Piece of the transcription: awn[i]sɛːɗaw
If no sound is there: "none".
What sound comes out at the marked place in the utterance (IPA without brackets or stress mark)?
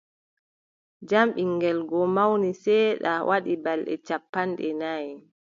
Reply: i